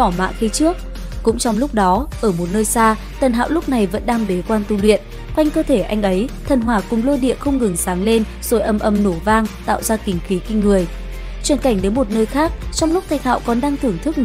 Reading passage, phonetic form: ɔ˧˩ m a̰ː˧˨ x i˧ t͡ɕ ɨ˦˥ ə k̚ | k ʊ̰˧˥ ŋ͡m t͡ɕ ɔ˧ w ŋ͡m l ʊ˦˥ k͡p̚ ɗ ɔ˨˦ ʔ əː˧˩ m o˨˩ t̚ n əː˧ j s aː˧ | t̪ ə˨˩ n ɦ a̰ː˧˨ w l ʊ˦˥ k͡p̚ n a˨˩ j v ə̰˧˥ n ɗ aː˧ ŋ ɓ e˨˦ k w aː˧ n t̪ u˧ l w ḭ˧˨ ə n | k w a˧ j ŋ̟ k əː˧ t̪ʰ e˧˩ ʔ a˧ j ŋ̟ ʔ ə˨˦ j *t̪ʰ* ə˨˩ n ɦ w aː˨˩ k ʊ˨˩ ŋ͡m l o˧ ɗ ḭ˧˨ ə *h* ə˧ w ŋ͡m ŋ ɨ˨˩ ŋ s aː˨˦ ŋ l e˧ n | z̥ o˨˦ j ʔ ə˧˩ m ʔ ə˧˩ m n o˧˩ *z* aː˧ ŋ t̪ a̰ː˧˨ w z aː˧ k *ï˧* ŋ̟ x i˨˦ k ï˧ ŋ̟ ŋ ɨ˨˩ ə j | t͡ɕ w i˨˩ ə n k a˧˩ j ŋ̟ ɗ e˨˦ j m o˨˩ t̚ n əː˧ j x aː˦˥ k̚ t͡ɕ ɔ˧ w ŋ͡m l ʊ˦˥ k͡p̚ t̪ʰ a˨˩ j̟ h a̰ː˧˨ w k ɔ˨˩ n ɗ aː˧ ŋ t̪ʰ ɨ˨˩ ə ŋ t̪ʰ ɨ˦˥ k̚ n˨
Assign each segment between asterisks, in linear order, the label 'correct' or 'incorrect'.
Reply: correct, incorrect: x, incorrect: v, incorrect: ï˨˩

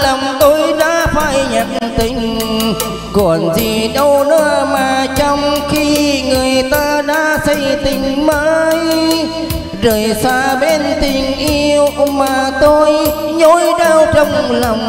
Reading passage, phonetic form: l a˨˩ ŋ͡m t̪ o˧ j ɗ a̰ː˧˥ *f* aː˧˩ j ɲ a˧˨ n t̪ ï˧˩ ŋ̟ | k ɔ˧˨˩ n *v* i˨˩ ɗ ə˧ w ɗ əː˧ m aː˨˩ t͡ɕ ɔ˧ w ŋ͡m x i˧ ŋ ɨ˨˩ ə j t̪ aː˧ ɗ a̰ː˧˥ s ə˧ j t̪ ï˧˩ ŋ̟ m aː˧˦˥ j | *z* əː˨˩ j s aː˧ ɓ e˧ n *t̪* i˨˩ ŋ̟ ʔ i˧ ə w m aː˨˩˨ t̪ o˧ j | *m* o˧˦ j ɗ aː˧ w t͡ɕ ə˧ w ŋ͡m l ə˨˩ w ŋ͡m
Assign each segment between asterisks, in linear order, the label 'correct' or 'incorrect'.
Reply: correct, incorrect: z, correct, correct, incorrect: ɲ

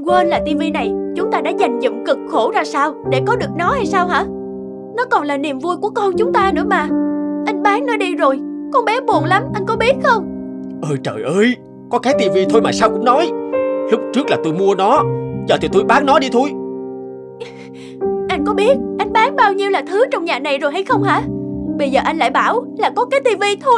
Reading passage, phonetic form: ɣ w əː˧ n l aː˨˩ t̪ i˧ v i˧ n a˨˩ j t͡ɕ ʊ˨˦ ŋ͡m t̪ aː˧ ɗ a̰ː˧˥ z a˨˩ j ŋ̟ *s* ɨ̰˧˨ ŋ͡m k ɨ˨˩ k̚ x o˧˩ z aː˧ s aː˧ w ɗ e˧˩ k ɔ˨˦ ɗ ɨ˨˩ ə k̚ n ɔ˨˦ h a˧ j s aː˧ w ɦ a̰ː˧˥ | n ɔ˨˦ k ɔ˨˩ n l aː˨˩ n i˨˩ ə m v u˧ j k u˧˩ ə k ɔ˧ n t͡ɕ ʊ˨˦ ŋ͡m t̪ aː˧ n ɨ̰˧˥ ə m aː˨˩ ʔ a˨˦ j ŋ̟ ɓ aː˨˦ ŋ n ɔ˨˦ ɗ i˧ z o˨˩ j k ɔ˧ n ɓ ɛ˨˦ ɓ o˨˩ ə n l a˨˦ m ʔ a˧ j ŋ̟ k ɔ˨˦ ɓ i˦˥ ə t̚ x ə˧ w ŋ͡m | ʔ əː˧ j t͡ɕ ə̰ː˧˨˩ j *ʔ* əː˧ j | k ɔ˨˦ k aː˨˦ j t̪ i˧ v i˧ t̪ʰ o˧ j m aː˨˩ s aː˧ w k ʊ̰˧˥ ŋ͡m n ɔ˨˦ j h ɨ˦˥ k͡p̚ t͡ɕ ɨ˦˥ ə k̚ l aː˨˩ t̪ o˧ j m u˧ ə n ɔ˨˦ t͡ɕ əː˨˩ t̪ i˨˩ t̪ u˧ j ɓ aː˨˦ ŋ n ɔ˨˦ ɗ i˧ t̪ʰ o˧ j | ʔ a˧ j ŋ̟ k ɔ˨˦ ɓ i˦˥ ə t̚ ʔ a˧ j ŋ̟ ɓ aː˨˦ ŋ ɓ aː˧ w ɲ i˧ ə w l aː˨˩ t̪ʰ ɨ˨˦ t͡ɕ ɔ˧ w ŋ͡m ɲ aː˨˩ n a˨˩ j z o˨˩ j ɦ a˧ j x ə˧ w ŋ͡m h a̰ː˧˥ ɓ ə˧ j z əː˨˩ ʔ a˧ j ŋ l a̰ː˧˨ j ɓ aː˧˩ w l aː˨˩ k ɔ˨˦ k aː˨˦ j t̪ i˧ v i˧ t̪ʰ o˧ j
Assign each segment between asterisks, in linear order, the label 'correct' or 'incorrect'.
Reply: incorrect: z, correct

